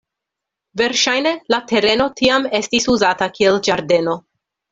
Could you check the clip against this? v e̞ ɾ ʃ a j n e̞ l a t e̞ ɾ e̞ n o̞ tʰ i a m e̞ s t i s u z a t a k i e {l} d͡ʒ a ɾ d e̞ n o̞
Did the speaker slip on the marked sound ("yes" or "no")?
no